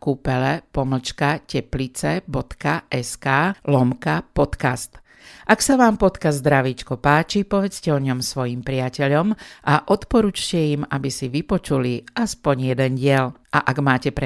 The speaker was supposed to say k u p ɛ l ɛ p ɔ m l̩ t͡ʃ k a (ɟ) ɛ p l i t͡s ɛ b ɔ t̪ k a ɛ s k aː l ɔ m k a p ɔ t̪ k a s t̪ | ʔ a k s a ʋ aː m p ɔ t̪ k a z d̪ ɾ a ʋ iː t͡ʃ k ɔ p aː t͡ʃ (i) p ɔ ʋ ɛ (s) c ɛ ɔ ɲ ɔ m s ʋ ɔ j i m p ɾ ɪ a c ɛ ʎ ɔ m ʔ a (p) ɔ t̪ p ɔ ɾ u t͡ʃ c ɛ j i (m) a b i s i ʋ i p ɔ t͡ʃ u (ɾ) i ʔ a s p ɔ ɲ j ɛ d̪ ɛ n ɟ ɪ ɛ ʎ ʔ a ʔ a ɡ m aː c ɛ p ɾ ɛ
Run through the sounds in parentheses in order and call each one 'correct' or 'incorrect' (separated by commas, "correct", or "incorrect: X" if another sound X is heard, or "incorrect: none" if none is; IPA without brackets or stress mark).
incorrect: c, correct, incorrect: t͡s, incorrect: ʔ, correct, incorrect: l